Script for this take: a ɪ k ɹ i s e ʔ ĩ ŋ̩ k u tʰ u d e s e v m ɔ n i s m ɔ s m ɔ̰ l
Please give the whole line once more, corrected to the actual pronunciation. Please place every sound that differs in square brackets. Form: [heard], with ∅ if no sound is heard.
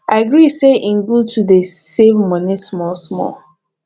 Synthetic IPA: a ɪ [ɡ] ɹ i s e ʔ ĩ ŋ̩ [ɡ] u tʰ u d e s e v m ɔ n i s m ɔ s m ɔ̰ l